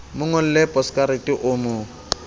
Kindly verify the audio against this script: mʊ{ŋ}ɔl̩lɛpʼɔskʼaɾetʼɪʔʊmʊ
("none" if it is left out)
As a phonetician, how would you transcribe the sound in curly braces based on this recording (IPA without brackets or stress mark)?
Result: ŋ